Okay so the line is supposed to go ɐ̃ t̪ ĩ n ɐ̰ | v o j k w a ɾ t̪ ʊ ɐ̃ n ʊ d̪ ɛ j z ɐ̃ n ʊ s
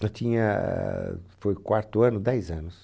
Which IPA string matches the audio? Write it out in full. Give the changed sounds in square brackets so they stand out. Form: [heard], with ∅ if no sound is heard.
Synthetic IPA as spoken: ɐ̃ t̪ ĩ [ɲ] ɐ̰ | [f] o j k w a ɾ t̪ ʊ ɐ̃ n ʊ d̪ ɛ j z ɐ̃ n ʊ s